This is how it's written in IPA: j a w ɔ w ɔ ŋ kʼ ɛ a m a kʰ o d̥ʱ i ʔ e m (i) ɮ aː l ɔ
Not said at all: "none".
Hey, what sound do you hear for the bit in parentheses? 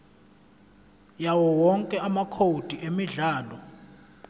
i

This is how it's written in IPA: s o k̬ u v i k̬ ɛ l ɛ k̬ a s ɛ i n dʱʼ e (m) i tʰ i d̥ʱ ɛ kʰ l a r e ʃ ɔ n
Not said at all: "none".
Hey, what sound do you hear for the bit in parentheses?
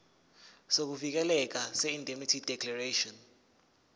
m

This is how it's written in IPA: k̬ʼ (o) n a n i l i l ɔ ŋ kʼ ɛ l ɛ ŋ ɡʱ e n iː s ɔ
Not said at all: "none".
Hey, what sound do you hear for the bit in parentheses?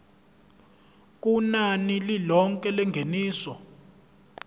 u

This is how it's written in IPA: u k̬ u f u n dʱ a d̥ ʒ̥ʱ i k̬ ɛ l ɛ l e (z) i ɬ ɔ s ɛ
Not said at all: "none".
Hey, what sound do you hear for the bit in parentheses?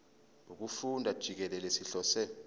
s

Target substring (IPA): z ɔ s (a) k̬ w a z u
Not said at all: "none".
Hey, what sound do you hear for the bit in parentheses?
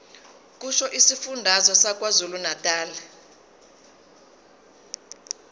a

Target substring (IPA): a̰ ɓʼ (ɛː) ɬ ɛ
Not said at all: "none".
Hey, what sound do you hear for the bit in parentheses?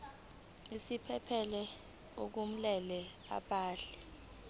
aː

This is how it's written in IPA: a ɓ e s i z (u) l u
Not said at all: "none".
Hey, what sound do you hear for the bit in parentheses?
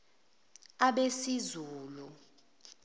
uː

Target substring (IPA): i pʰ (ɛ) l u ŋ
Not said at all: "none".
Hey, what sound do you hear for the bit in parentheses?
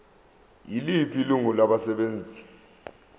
i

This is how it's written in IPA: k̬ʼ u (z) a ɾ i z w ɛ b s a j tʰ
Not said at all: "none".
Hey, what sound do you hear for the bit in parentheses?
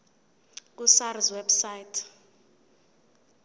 s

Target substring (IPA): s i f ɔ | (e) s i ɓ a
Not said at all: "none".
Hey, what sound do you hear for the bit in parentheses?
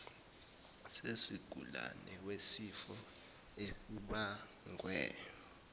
e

